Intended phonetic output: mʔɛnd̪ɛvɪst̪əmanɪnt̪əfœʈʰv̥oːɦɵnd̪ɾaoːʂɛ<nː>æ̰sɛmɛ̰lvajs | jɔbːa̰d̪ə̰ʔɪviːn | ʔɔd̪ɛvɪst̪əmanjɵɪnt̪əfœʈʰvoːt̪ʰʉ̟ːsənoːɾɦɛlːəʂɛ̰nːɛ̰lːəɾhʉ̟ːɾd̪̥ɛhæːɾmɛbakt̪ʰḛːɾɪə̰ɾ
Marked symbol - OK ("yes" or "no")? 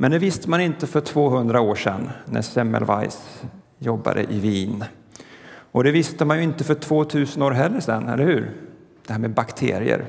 yes